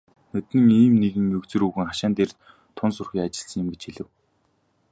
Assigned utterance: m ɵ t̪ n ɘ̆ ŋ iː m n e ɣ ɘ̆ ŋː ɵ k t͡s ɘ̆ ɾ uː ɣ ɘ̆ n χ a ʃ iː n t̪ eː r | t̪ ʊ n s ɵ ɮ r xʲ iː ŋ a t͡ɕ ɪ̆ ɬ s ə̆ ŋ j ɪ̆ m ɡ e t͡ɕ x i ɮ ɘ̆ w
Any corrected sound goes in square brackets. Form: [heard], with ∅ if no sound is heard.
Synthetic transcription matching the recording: [n] ɵ t̪ n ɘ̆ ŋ iː m n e ɣ ɘ̆ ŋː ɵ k t͡s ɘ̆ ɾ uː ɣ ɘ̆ [ŋ] χ a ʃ [aː] n t̪ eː r | [t̪ʰ] ʊ n s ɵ [∅] r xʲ iː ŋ a t͡ɕ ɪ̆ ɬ s ə̆ ŋ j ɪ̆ m ɡ e t͡ɕ x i ɮ ɘ̆ w